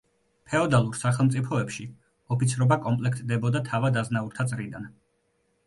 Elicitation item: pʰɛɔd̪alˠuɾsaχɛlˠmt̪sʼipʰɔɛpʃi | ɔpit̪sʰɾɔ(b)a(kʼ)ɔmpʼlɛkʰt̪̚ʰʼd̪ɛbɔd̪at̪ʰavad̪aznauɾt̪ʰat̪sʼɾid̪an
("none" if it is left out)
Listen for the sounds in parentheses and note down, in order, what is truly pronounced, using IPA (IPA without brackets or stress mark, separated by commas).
b, kʼ